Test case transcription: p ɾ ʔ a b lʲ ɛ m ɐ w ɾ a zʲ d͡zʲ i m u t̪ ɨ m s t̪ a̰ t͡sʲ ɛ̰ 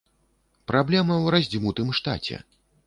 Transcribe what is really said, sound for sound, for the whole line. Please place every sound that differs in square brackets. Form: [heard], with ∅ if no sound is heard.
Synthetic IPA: p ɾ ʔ a b lʲ ɛ m ɐ w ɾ a zʲ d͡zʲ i m u t̪ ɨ m [ʂ] t̪ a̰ t͡sʲ ɛ̰